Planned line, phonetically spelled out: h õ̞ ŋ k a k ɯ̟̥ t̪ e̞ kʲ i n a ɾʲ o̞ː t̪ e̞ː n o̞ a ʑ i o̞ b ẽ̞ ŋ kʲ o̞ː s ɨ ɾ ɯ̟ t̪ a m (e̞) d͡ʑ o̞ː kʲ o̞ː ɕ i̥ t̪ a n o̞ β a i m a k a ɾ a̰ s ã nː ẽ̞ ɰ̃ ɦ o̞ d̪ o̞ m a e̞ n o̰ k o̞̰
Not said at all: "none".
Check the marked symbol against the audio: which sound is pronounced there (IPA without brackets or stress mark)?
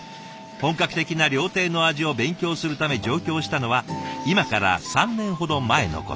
e̞